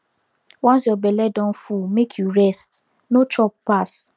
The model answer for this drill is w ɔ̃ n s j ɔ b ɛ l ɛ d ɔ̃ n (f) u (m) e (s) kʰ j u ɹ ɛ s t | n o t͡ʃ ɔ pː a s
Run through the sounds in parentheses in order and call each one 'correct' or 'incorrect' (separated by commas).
correct, correct, incorrect